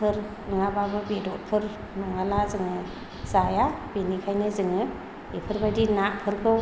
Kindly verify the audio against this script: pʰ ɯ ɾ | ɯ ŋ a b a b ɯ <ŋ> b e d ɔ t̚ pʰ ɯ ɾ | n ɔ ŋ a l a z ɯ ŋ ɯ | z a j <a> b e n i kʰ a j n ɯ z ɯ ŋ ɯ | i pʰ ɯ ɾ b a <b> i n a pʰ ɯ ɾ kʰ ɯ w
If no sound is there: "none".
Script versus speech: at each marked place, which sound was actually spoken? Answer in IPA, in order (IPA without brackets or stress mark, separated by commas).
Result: none, a, d